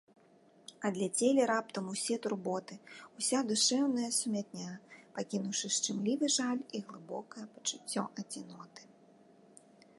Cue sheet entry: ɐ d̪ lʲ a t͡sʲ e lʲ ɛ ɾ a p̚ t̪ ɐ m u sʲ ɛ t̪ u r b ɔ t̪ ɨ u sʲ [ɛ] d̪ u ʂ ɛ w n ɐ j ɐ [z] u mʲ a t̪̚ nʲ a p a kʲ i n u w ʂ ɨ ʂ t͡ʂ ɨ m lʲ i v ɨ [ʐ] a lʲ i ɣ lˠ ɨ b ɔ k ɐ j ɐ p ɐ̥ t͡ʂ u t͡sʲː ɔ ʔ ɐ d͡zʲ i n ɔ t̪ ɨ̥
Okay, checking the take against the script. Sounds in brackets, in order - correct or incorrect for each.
incorrect, incorrect, correct

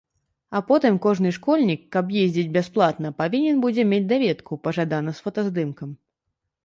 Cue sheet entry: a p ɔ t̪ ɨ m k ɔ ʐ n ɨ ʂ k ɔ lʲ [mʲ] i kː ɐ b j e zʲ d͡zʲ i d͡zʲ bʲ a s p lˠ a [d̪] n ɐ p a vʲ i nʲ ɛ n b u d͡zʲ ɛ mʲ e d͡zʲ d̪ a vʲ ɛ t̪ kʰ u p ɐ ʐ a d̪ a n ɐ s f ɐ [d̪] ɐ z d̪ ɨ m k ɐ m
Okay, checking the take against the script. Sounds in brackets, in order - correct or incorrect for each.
incorrect, incorrect, incorrect

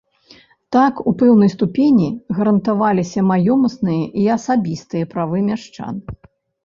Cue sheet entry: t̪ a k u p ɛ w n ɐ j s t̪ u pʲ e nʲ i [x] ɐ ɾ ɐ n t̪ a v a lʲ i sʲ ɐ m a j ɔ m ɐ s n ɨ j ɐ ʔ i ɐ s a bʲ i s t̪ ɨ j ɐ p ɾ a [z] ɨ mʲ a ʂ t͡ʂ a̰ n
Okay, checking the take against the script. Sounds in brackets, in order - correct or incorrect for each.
incorrect, incorrect

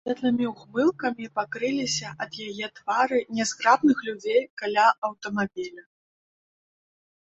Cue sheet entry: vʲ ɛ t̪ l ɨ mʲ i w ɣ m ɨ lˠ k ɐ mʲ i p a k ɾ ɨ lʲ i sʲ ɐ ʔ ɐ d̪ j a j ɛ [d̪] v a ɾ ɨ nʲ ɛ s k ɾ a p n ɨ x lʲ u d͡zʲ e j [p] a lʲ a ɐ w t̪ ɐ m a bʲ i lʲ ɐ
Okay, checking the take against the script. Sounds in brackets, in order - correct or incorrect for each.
incorrect, incorrect

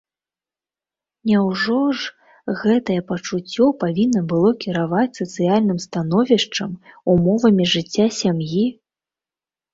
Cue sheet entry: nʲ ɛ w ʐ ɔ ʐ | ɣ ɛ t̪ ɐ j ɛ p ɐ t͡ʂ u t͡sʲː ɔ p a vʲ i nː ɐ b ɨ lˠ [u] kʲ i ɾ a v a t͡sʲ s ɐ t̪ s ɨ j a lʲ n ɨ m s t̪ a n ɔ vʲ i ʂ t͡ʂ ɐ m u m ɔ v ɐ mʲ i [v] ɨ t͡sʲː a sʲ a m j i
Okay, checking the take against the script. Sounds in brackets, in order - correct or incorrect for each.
incorrect, incorrect

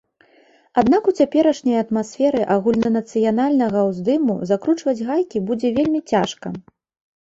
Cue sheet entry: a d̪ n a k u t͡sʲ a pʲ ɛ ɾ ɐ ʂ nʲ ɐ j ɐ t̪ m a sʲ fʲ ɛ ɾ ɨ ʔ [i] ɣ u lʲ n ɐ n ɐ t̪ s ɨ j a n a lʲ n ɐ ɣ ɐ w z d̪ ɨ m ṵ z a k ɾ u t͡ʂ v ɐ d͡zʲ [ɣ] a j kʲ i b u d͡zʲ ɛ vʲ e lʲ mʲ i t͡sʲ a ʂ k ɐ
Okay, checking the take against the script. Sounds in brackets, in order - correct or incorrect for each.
incorrect, correct

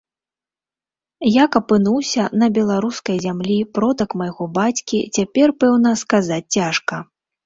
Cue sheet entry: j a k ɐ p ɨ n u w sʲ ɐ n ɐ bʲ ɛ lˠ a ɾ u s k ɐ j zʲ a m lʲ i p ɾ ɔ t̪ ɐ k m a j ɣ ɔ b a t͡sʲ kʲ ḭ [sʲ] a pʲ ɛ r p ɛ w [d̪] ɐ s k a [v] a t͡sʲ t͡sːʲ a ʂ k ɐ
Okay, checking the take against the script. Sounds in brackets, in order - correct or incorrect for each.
incorrect, incorrect, incorrect

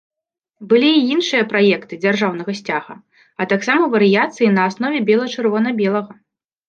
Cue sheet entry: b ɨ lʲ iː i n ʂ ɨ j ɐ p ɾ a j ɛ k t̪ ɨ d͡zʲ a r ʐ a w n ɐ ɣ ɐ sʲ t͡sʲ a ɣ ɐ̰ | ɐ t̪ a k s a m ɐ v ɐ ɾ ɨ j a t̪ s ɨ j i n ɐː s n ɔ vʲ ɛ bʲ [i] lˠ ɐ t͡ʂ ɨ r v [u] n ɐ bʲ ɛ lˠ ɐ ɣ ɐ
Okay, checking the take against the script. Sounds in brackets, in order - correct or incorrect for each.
incorrect, incorrect

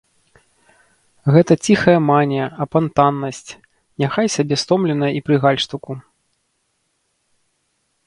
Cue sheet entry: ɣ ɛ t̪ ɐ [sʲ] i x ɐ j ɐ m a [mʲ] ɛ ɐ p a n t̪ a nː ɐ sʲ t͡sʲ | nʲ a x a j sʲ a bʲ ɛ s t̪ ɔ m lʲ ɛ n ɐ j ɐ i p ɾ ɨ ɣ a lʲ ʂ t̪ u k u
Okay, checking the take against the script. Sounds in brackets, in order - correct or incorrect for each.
incorrect, incorrect

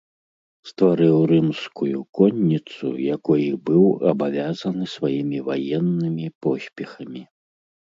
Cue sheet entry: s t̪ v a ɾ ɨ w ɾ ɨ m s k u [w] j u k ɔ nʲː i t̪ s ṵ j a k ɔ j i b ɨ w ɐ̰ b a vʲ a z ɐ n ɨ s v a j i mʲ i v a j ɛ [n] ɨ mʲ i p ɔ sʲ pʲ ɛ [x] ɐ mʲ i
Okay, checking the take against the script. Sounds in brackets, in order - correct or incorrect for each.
incorrect, incorrect, correct

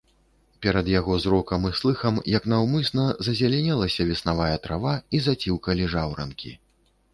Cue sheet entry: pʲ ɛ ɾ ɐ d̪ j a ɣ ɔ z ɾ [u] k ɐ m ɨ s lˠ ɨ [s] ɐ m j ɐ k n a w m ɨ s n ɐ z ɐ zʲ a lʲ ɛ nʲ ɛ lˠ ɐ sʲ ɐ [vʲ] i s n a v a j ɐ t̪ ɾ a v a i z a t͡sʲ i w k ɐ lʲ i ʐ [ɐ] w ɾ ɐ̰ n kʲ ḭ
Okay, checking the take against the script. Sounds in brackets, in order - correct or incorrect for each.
incorrect, incorrect, correct, incorrect

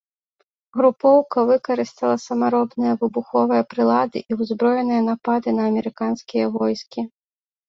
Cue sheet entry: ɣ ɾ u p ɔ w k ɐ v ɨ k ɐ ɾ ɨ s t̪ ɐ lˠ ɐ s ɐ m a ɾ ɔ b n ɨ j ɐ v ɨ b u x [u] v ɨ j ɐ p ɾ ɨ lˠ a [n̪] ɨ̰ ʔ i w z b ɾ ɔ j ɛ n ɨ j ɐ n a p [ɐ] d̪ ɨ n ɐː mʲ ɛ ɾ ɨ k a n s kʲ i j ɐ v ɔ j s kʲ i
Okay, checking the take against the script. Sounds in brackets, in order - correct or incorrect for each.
incorrect, incorrect, incorrect

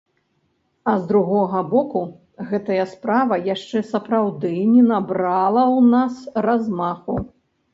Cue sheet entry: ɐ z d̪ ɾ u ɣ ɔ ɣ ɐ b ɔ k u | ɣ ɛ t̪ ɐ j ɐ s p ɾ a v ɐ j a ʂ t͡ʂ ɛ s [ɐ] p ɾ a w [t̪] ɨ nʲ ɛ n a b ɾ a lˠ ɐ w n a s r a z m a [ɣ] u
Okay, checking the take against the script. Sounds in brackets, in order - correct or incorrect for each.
correct, incorrect, incorrect

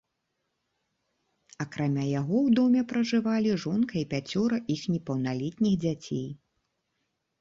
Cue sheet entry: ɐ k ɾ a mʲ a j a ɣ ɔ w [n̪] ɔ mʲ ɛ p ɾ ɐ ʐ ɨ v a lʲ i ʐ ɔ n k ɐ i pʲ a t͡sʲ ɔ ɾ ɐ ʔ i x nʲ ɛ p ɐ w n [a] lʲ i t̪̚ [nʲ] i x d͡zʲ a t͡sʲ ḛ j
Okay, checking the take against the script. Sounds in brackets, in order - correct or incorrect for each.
incorrect, correct, correct

